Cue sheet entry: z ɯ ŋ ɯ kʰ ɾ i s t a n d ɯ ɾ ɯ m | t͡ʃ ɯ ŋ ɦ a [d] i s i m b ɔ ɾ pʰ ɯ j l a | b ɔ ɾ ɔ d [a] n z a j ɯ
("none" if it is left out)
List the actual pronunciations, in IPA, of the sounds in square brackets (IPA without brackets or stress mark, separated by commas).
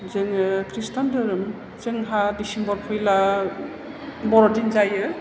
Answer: d, i